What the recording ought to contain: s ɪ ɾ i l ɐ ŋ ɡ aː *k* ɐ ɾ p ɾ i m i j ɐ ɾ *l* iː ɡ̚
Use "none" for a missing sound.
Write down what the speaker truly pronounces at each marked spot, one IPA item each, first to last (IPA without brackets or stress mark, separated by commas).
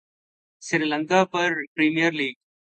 p, l